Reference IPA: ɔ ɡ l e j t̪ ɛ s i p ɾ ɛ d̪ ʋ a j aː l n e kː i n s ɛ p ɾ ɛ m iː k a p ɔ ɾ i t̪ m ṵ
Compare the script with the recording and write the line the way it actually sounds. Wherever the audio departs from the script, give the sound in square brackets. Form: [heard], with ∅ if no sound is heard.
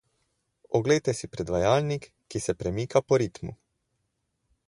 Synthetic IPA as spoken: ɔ ɡ l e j t̪ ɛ s i p ɾ ɛ d̪ ʋ a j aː l n [i] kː i [∅] s ɛ p ɾ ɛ m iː k a p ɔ ɾ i t̪ m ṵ